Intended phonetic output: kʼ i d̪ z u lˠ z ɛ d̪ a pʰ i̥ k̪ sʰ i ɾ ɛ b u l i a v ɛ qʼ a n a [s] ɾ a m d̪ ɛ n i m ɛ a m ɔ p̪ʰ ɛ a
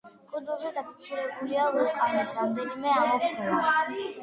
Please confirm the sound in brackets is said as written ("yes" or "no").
yes